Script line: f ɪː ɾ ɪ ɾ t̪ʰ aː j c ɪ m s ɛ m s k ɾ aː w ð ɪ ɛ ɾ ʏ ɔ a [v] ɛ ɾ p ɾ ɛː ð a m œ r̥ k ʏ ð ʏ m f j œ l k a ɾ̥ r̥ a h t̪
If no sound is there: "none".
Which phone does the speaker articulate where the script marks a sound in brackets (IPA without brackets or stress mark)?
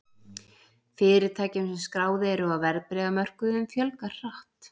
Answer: v